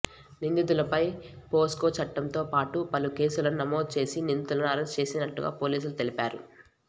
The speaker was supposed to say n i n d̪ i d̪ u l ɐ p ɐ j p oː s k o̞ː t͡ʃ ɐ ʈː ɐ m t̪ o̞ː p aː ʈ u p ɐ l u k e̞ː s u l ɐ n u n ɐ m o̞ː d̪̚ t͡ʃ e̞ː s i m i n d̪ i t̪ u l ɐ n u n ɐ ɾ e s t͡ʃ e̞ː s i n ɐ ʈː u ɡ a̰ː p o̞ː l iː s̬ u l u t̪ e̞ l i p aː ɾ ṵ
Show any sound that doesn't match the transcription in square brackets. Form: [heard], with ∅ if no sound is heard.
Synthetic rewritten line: n i n d̪ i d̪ u l ɐ p ɐ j p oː s k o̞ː t͡ʃ ɐ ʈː ɐ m t̪ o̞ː p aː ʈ u p ɐ l u k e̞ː s u l ɐ n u n ɐ m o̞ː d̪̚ t͡ʃ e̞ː s i [n] i n d̪ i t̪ u l ɐ n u [∅] ɐ ɾ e s t͡ʃ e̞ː s i n ɐ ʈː u ɡ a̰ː p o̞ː l iː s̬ u l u t̪ e̞ l i p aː ɾ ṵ